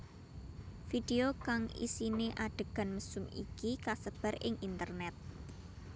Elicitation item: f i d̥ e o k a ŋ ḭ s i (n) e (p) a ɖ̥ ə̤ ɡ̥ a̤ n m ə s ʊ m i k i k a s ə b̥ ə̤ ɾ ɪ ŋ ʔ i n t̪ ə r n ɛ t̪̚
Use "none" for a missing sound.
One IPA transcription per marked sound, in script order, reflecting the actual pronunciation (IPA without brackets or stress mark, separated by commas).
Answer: n, ʔ